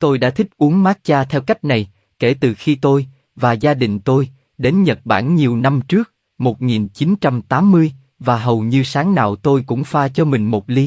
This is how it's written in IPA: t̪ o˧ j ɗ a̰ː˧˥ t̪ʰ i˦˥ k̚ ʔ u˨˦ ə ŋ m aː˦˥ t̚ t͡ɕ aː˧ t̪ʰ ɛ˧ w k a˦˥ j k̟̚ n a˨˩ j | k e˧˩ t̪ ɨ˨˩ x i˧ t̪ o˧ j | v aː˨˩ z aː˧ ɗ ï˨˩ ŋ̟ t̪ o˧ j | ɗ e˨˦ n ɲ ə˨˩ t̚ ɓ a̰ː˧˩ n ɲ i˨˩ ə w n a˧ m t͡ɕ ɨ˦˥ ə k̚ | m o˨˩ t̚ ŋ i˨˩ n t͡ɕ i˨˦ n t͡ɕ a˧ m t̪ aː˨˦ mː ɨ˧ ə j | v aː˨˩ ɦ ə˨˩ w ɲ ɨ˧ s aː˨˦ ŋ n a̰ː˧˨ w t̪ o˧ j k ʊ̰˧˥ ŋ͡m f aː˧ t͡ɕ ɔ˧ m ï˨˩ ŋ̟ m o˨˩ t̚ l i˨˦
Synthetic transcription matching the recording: t̪ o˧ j ɗ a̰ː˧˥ t̪ʰ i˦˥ k̚ ʔ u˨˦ ə ŋ m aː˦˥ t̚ t͡ɕ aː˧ t̪ʰ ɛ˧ w k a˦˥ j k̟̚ n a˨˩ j | k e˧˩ t̪ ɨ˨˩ x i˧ t̪ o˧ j | v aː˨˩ z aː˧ ɗ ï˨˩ ŋ̟ t̪ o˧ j | ɗ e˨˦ n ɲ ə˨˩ t̚ ɓ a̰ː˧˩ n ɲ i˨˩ ə w n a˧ m t͡ɕ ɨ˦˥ ə k̚ | m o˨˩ t̚ ŋ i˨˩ n t͡ɕ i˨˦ n t͡ɕ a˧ m t̪ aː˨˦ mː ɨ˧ ə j | v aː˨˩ ɦ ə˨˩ w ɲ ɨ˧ s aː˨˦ ŋ n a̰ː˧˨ w t̪ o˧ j k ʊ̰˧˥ ŋ͡m f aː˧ t͡ɕ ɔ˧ m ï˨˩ ŋ̟ m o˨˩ t̚ l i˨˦